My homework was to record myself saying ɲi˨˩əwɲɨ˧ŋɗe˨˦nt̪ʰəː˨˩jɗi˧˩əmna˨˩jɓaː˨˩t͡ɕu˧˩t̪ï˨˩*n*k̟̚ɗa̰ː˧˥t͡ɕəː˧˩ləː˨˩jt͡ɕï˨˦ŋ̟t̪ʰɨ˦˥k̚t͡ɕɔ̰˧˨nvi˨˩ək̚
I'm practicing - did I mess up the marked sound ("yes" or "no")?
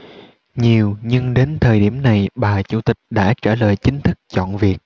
yes